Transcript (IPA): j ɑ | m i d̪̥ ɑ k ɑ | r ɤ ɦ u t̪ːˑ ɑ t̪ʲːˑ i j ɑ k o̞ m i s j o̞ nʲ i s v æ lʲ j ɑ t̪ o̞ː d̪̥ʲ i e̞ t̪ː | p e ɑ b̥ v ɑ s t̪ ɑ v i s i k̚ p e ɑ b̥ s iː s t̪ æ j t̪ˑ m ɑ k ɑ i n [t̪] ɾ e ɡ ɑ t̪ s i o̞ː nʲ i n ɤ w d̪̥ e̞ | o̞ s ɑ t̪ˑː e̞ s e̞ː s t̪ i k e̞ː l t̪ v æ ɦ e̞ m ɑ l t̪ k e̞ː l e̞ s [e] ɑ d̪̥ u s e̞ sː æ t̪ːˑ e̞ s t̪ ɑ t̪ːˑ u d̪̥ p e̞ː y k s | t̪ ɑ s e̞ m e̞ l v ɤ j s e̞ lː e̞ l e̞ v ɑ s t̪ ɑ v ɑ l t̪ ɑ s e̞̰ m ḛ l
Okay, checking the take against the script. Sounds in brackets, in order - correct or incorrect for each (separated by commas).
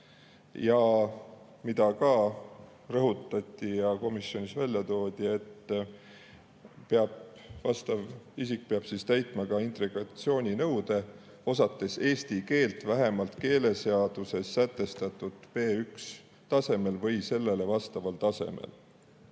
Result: correct, correct